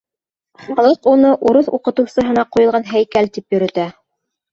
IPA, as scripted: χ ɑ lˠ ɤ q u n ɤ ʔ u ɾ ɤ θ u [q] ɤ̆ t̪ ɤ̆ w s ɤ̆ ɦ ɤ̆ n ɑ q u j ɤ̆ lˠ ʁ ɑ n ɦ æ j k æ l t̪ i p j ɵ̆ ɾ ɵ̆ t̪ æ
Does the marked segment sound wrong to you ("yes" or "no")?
no